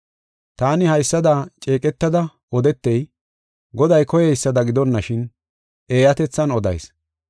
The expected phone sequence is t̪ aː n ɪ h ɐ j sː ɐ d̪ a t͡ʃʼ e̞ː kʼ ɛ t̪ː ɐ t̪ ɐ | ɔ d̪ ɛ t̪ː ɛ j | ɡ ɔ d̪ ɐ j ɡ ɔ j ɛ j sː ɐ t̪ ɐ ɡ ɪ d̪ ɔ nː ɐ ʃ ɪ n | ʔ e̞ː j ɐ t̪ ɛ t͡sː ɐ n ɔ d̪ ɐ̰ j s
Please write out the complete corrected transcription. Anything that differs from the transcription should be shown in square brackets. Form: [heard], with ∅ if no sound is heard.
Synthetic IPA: t̪ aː n ɪ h ɐ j sː ɐ d̪ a t͡ʃʼ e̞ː kʼ ɛ t̪ː ɐ [d̪] ɐ | ɔ d̪ ɛ t̪ː ɛ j | ɡ ɔ d̪ ɐ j [k] ɔ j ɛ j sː ɐ [d̪] ɐ ɡ ɪ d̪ ɔ nː ɐ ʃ ɪ n | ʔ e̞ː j ɐ t̪ ɛ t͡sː ɐ n ɔ d̪ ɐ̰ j s